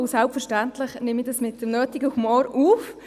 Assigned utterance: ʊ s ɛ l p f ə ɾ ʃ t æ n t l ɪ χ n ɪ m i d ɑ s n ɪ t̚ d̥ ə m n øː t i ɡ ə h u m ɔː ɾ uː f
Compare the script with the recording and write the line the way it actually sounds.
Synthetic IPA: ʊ s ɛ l p f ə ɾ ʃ t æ n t l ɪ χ n ɪ m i d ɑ s m ɪ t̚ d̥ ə m n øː t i ɡ ə h u m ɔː ɾ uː f

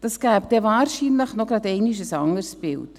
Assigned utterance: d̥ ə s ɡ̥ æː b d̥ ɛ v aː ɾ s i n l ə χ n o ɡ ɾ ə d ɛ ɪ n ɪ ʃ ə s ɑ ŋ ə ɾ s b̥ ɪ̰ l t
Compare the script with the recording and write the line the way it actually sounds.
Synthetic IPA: d̥ ɑ s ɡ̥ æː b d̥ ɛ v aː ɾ ʃ i n l ə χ n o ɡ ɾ ɑ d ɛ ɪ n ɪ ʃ ə s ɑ ŋ ə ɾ s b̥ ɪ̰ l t

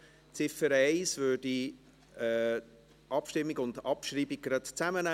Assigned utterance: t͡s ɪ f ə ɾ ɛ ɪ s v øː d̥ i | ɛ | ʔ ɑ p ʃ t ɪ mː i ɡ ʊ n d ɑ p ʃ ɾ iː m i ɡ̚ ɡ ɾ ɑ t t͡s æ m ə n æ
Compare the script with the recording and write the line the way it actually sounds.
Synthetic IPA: t͡s ɪ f ə ɾ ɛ ɪ s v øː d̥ i | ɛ | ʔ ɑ p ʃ t ɪ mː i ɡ ʊ n d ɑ p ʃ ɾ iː b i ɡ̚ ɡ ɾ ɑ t t͡s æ m ə n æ

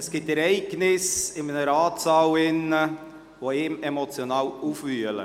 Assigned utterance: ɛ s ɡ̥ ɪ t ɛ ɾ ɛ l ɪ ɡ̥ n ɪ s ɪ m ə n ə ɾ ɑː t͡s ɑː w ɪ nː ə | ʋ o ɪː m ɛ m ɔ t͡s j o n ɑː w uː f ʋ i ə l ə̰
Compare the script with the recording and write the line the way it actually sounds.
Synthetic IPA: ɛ s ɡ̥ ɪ t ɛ ɾ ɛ ɪ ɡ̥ n ɪ s ɪ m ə n ə ɾ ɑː t͡s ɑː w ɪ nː ə | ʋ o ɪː m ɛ m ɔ t͡s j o n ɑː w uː f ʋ y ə l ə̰

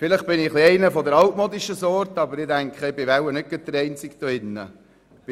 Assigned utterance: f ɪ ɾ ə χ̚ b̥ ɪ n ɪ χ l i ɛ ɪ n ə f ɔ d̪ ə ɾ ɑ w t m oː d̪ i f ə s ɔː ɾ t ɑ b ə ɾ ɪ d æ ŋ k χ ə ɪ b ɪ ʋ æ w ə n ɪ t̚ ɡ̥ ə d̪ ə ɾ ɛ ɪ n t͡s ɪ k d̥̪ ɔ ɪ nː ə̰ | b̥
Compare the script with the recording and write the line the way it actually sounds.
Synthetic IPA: f ɪ l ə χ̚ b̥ ɪ n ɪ χ l i ɛ ɪ n ə f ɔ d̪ ə ɾ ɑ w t m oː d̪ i ʃ ə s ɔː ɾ t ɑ b ə ɾ ɪ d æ ŋ k χ ə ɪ b ɪ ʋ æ w ə n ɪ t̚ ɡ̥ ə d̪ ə ɾ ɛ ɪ n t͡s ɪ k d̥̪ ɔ ɪ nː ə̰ | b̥

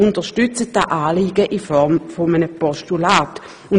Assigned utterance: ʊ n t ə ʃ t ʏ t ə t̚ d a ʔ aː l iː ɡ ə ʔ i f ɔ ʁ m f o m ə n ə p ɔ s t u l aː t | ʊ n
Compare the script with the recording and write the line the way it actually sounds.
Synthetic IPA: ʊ n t ə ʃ t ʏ t͡s ə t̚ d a ʔ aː l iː ɡ ə ʔ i f ɔ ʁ m f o m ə n ə p ɔ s t u l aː t | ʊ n

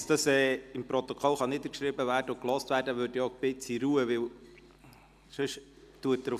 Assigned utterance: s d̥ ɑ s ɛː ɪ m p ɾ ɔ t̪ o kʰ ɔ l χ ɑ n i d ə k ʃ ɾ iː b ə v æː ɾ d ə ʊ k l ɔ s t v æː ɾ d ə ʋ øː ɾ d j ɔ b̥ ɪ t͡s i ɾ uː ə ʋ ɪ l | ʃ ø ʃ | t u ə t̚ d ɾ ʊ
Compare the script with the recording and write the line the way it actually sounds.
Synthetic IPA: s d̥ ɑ s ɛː ɪ m p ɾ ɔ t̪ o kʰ ɔ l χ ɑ n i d ə k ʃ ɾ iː b ə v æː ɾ d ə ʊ k l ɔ s t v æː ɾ d ə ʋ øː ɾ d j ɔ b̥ ɪ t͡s i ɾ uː ə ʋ ɪ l | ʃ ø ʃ | t u ə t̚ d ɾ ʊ

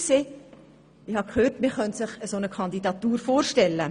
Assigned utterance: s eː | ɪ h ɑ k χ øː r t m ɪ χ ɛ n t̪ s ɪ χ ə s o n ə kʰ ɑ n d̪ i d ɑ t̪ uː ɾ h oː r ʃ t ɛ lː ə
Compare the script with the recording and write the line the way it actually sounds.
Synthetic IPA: s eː | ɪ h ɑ k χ øː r t m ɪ χ œ n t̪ s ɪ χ ə s o n ə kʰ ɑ n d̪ i d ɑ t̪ uː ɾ f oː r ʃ t ɛ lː ə

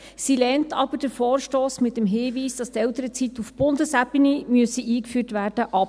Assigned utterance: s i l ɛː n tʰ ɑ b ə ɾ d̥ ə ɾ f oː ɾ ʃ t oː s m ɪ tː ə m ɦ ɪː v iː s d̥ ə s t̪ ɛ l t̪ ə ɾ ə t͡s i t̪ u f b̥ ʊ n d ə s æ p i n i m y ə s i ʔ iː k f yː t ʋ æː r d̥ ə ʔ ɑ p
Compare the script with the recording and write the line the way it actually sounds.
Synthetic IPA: s i l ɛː n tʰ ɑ b ə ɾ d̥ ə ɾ f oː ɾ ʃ t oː s m ɪ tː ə m ɦ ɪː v iː s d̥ ɑ s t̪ ɛ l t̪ ə ɾ ə t͡s i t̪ u f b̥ ʊ n d ə s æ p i n i m y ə s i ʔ iː k f yː t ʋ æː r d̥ ə ʔ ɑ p

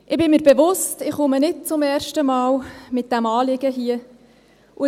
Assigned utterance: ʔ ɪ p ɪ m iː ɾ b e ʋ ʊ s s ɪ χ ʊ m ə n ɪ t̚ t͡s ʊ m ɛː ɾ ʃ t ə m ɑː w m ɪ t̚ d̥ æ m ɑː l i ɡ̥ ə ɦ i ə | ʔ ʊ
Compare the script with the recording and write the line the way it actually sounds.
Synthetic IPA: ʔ ɪ b ɪ m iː ɾ b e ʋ ʊ s t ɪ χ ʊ m ə n ɪ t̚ t͡s ʊ m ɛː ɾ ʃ t ə m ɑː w m ɪ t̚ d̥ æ m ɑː l ɪ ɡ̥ ə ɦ i ə | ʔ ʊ

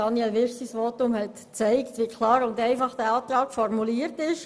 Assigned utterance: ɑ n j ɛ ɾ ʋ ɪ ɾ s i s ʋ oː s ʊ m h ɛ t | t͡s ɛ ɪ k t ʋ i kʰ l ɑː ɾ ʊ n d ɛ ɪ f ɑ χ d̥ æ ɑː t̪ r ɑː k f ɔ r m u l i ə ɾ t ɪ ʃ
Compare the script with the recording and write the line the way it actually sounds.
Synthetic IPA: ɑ n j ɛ l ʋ ɪ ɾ s i s ʋ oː t ʊ m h ɛ t | t͡s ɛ ɪ k t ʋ i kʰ l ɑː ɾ ʊ n d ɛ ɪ f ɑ χ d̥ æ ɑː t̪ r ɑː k f ɔ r m u l i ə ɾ t ɪ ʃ

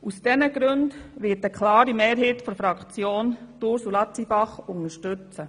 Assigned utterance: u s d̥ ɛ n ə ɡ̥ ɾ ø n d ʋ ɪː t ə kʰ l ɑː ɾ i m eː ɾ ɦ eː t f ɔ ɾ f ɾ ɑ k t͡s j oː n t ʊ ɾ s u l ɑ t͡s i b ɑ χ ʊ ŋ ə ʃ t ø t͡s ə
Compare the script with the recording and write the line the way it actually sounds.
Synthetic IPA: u s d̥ ɛ n ə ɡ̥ ɾ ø n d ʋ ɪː t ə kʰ l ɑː ɾ i m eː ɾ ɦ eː t f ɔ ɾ f ɾ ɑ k t͡s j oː n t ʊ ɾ s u l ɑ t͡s i b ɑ χ ʊ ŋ ə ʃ t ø t͡s ə

